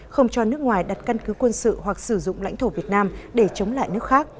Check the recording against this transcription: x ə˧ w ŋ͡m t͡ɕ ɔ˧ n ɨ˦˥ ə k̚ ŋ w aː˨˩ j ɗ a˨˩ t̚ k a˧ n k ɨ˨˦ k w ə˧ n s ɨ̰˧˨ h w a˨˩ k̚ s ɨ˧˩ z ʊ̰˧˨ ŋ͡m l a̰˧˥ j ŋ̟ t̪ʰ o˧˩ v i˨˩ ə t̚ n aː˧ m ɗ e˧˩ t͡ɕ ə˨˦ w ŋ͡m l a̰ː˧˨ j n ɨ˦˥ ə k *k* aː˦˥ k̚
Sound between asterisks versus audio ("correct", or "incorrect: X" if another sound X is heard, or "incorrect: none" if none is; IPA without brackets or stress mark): incorrect: x